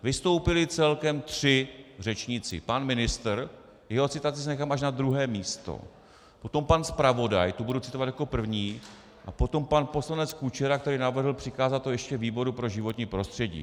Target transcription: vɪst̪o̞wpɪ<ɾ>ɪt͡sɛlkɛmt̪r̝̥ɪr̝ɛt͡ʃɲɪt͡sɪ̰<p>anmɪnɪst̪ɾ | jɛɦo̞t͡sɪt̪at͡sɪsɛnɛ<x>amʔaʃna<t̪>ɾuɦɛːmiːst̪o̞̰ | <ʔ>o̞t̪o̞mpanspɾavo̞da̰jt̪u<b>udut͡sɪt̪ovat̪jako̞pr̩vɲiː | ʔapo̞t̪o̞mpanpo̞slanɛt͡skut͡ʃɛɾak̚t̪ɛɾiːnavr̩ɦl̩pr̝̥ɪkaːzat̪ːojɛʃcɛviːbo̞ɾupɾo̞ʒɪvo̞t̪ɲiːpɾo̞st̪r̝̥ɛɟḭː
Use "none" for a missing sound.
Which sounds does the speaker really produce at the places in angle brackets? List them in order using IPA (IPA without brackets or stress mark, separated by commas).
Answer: l, p, x, d̪, p, b